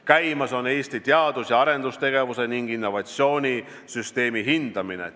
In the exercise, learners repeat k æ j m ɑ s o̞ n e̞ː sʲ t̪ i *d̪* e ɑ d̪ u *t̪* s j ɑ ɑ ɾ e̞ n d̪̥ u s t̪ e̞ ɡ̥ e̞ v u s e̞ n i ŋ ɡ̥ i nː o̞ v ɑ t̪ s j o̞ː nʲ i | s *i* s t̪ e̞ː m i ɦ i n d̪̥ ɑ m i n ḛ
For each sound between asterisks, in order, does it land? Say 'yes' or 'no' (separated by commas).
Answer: no, no, no